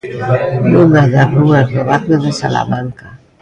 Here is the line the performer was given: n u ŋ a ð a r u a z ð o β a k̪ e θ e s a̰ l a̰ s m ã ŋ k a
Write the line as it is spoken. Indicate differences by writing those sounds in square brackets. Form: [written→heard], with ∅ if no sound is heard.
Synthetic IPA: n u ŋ a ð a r u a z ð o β a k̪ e [θ→ð] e s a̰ l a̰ [s→∅] m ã ŋ k a